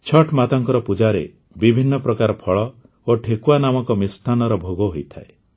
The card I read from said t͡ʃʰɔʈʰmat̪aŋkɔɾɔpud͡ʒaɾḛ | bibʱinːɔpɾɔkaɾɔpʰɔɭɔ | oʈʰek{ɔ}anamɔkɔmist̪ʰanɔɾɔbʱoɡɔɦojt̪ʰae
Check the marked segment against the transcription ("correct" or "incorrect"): incorrect